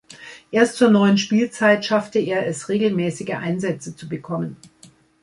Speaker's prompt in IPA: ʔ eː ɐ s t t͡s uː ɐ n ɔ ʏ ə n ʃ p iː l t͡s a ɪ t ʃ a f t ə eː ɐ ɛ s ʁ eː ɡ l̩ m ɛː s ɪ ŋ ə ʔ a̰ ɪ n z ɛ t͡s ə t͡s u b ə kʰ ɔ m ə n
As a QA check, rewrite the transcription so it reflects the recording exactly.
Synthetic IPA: ʔ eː ɐ s t t͡s uː ɐ n ɔ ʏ ə n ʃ p iː l t͡s a ɪ t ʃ a f t ə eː ɐ ɛ s ʁ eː ɡ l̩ m ɛː s ɪ ɡ ə ʔ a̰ ɪ n z ɛ t͡s ə t͡s u b ə kʰ ɔ m ə n